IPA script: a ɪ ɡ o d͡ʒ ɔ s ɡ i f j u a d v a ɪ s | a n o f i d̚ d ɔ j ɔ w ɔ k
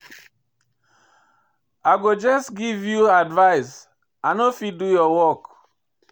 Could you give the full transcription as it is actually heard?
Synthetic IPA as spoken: a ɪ ɡ o d͡ʒ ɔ s ɡ i v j u a d v a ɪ s | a n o f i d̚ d u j ɔ w ɔ k